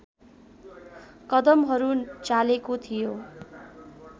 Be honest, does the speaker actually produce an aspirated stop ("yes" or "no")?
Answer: yes